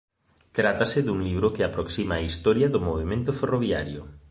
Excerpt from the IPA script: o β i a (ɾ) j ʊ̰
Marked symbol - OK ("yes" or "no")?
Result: yes